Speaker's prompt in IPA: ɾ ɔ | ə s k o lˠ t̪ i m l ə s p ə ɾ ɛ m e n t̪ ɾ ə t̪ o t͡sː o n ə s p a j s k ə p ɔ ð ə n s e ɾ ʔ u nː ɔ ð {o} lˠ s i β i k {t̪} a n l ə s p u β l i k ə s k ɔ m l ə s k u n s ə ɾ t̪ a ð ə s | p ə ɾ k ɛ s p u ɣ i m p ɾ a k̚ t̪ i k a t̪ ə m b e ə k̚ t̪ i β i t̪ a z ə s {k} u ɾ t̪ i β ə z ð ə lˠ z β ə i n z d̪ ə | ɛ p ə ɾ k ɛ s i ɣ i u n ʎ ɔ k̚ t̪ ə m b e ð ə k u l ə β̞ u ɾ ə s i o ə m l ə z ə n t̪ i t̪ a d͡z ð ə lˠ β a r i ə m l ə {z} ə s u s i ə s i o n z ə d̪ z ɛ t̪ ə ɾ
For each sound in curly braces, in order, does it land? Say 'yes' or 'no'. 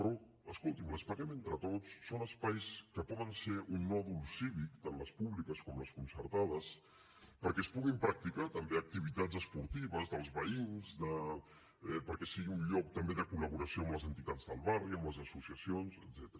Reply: no, yes, no, yes

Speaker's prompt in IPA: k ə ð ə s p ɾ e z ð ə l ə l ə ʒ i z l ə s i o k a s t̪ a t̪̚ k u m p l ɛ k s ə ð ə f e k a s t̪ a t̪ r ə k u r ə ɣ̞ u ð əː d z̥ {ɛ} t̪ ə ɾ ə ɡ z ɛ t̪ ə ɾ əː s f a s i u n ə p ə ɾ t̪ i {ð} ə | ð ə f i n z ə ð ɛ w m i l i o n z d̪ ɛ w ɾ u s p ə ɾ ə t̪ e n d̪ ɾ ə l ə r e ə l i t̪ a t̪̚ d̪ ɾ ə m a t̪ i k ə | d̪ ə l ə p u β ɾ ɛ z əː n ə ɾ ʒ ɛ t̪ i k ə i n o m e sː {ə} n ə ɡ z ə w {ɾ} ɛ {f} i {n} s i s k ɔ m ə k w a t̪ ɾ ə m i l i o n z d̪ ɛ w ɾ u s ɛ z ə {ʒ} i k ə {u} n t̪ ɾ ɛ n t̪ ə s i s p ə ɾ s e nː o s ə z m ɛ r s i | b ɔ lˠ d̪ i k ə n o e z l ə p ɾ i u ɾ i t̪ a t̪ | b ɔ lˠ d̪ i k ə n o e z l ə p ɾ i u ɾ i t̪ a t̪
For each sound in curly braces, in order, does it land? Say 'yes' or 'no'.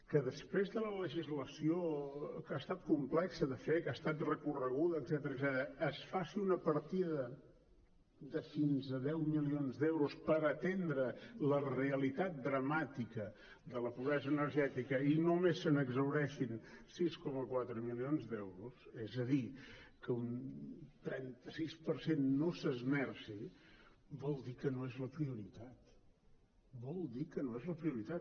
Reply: yes, yes, yes, yes, no, yes, no, yes

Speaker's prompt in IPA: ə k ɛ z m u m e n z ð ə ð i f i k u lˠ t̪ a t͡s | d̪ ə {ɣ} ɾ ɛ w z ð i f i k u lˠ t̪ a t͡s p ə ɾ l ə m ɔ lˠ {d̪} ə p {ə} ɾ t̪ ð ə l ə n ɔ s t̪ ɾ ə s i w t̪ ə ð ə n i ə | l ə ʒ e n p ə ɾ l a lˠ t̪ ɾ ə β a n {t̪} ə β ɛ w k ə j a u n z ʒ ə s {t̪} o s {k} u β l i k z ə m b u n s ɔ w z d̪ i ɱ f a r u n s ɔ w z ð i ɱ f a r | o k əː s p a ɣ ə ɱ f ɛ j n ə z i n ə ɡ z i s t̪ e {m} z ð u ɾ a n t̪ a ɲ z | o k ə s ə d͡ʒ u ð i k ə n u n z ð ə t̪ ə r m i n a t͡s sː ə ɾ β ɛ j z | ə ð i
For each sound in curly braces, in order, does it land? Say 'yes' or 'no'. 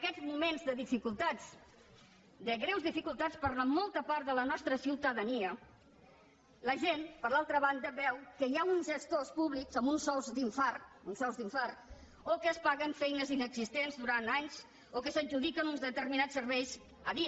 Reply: yes, no, no, no, yes, no, no

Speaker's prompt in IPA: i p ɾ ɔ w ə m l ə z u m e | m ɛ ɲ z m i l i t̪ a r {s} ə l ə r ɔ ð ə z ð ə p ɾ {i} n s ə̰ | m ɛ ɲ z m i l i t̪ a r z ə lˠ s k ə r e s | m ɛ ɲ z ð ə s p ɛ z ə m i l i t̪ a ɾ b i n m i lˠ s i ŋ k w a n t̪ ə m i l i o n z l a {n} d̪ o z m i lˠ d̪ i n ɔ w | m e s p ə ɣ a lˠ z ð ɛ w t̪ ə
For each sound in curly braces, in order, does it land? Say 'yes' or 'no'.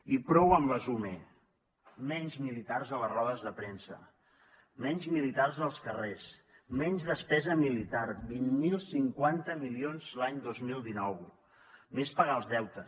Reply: no, no, no

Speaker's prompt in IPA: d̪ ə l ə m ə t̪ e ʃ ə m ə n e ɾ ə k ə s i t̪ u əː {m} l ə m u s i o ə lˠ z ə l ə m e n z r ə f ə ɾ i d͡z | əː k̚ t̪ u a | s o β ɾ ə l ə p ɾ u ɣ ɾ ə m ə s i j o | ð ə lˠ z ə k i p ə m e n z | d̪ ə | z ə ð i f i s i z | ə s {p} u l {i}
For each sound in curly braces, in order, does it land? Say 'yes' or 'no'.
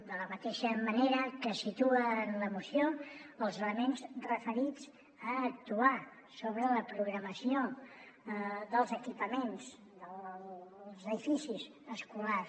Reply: no, no, no

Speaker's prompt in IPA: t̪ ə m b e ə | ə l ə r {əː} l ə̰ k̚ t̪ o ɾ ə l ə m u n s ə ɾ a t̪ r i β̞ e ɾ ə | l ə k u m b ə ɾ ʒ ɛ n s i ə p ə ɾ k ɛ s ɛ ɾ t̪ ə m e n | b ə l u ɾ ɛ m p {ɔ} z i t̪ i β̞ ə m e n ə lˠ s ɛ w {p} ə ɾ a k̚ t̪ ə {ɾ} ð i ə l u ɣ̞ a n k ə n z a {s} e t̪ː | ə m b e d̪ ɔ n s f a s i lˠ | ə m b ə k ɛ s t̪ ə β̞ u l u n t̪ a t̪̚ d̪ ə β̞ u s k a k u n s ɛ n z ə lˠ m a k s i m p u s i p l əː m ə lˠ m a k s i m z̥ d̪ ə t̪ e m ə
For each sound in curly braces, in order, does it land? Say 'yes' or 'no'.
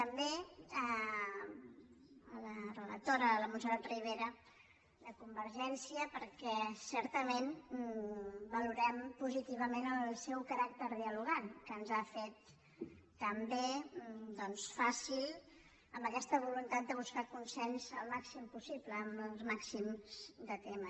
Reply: no, no, no, yes, no

